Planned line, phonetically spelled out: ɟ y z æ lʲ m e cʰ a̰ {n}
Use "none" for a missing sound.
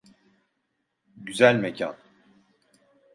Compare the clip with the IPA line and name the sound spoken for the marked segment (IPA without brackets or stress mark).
n